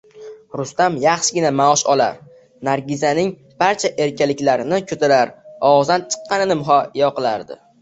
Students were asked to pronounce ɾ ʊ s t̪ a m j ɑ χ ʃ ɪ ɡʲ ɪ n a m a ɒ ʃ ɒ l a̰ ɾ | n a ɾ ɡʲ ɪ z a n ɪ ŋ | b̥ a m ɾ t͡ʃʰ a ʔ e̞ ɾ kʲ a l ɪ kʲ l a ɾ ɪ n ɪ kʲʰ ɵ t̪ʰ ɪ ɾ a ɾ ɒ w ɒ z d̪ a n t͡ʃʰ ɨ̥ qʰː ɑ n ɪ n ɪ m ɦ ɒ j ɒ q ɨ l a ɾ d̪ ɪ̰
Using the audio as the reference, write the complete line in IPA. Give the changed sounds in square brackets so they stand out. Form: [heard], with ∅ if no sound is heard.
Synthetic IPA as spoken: ɾ ʊ s t̪ a m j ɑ χ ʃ ɪ ɡʲ ɪ n a m a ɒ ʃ ɒ l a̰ ɾ | n a ɾ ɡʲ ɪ z a n ɪ ŋ | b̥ a [∅] ɾ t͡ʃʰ a ʔ e̞ ɾ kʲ a l ɪ kʲ l a ɾ ɪ n ɪ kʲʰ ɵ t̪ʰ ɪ ɾ a ɾ ɒ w ɒ z d̪ a n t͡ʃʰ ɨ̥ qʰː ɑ n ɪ n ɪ m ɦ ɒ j ɒ q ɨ l a ɾ d̪ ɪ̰